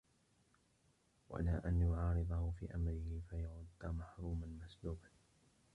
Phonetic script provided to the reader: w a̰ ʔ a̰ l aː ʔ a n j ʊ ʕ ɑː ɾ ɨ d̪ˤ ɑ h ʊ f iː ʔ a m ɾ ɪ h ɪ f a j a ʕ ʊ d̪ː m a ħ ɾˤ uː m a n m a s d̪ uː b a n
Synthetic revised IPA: w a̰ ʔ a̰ l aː ʔ a n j ʊ ʕ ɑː ɾ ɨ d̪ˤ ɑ h ʊ f iː ʔ a m ɾ ɪ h ɪ f a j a ʕ ʊ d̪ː m a ħ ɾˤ uː m a n m a s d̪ uː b a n